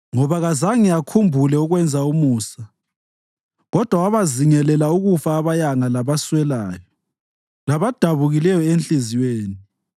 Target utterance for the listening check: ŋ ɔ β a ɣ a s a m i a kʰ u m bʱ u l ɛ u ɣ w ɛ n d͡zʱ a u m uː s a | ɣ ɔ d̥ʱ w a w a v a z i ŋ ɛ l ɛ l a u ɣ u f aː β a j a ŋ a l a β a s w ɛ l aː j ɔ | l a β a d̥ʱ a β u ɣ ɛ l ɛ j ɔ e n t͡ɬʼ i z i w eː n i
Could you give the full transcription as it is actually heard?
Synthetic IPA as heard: ŋ ɔ β a ɣ a z a ŋ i a kʰ u m bʱ u l ɛ u ɣ w ɛ n d͡zʱ a u m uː s a | ɣ ɔ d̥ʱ w a w a β a z i ŋ ɛ l ɛ l a u ɣ u f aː β a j a ŋ a l a β a s w ɛ l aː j ɔ | l a β a d̥ʱ a β u ɣ i l ɛ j ɔ e n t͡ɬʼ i z i w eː n i